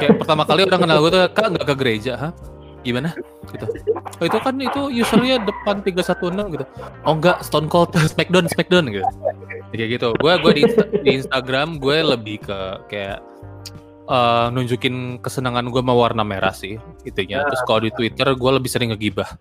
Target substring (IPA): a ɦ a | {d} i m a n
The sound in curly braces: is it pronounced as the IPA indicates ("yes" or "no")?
no